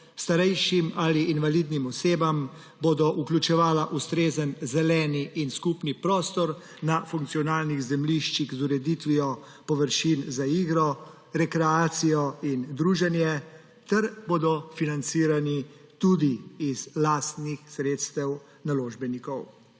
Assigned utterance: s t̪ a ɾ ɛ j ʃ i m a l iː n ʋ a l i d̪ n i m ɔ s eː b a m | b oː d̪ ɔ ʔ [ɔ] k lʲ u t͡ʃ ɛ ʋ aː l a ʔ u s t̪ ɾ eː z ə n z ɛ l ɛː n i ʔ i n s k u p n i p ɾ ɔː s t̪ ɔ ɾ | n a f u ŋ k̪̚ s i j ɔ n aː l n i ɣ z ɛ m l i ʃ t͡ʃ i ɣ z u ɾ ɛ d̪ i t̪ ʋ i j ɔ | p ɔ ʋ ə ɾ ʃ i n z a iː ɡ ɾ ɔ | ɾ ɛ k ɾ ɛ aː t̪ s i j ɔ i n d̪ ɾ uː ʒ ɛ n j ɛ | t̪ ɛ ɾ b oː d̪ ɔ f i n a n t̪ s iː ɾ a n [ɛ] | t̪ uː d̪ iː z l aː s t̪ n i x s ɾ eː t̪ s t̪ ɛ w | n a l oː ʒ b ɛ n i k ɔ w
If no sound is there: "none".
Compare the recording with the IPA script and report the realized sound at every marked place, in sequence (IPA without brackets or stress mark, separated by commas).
u, i